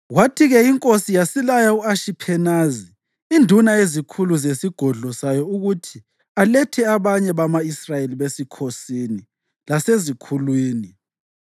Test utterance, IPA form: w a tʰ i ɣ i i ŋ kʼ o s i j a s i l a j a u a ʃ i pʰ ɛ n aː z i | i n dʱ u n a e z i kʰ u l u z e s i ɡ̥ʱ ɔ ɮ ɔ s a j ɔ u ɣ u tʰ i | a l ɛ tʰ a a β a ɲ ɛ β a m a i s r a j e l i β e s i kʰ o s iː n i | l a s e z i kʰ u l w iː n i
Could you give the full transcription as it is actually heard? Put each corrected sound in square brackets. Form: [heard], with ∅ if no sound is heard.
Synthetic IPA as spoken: w a tʰ i ɣ [ɛ] i ŋ kʼ o s i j a s i l a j a u a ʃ i pʰ ɛ n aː z i | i n dʱ u n a e z i kʰ u l u z e s i ɡ̥ʱ ɔ ɮ ɔ s a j ɔ u ɣ u tʰ i | a l ɛ tʰ [ɛ] a β a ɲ ɛ β a m a i s r a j e l i β e s i kʰ o s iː n i | l a s e z i kʰ u l w iː n i

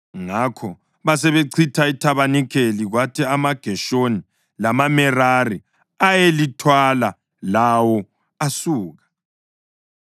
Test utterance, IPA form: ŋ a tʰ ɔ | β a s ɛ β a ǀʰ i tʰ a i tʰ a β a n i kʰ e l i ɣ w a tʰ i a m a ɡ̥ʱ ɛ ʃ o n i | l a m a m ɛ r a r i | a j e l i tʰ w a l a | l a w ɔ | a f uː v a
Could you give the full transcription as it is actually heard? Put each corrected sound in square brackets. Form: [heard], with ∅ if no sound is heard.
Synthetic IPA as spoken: ŋ a [kʰ] ɔ | β a s ɛ β [e] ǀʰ i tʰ a i tʰ a β a n i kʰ e l i ɣ w a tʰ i a m a ɡ̥ʱ ɛ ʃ o n i | l a m a m ɛ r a r i | a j e l i tʰ w a l a | l a w ɔ | a [s] uː [ɣ] a

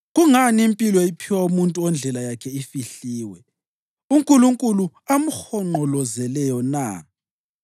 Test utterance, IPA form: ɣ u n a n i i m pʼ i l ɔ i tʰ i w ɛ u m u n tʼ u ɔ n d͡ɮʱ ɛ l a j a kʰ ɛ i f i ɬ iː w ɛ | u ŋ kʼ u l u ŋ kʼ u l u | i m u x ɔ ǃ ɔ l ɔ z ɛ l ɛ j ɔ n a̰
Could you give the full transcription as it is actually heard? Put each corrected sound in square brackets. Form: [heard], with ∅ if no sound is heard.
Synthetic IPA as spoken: ɣ u [ŋ] a n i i m pʼ i l ɔ i [pʰ] i w [a] u m u n tʼ u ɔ n d͡ɮʱ ɛ l a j a kʰ ɛ i f i ɬ iː w ɛ | u ŋ kʼ u l u ŋ kʼ u l u | [a] m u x ɔ [ŋ͡ǃ] ɔ l ɔ z ɛ l ɛ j ɔ n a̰

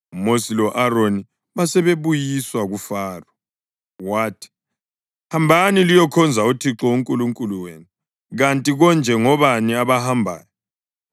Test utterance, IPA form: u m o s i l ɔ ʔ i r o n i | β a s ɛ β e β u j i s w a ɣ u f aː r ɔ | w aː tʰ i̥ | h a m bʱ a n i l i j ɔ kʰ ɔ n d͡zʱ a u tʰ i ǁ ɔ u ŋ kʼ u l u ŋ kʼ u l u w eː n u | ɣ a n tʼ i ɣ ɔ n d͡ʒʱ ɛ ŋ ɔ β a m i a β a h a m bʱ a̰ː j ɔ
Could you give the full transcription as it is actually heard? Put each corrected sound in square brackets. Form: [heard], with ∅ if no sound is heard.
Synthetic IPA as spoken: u m o s i l ɔ ʔ [a] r o n i | β a s ɛ β e β u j i s w a ɣ u f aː r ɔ | w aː tʰ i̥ | h a m bʱ a n i l i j ɔ kʰ ɔ n d͡zʱ a u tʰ i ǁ ɔ u ŋ kʼ u l u ŋ kʼ u l u w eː n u | ɣ a n tʼ i ɣ ɔ n d͡ʒʱ ɛ ŋ ɔ β a [n] i a β a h a m bʱ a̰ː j ɔ

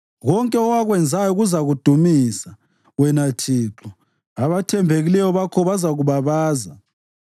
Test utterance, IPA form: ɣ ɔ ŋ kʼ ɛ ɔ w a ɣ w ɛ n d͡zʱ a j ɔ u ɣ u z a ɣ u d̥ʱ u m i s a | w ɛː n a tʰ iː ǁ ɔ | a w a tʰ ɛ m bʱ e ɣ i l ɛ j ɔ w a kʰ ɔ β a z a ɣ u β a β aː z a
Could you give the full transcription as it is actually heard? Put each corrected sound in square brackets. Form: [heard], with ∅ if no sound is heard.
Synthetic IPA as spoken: ɣ ɔ ŋ kʼ ɛ ɔ w a ɣ w ɛ n d͡zʱ a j ɔ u ɣ u z a ɣ u d̥ʱ u m i s a | w [ɛ] n a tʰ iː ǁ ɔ | a [β] a tʰ ɛ m bʱ e ɣ i l ɛ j ɔ [β] a kʰ ɔ β a z a ɣ u β a β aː z a

